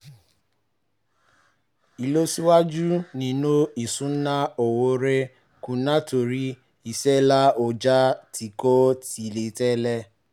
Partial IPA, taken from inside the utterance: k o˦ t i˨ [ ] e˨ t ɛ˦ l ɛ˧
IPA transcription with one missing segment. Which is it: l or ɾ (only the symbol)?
l